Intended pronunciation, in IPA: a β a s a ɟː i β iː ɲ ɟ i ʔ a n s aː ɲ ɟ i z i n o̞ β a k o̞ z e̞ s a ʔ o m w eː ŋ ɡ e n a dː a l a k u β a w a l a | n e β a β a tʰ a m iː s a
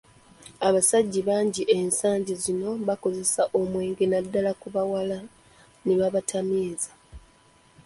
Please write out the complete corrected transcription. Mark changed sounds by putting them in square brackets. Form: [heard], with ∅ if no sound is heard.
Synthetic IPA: a β a s a ɟː i β [aː] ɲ ɟ i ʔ [e] n s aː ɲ ɟ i z i n o̞ β a k o̞ z e̞ s a ʔ o m w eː ŋ ɡ e n a dː a l a k u β a w a l a | n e β a β a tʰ a m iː [z] a